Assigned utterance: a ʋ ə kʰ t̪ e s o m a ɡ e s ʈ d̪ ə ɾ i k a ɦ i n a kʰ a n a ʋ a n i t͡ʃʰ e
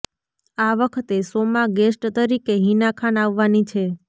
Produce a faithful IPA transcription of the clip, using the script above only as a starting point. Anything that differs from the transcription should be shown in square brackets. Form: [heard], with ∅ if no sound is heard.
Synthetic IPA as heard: a ʋ ə kʰ t̪ e s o m a ɡ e s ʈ [t̪] ə ɾ i k [e] ɦ i n a kʰ a n a [ʋː] a n i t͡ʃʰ e

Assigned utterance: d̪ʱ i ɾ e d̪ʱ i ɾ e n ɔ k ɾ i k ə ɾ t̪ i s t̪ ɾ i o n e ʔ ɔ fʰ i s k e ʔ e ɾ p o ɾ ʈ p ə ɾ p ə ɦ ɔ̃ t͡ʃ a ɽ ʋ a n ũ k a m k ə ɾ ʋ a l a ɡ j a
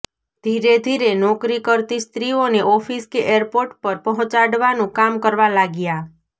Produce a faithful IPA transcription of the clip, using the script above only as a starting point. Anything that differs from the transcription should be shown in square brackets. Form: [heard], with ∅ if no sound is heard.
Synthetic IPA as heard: d̪ʱ i ɾ e d̪ʱ i ɾ e n ɔ k ɾ i k ə ɾ t̪ i s t̪ ɾ i o n e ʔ ɔ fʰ i s k e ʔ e ɾ p o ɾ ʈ p ə ɾ p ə ɦ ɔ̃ t͡ʃ a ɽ ʋ a n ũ k a m k ə ɾ ʋ a l a ɡ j a

